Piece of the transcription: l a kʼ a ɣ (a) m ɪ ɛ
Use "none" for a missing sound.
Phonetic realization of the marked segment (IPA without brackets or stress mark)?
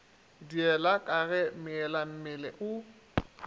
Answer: ɛ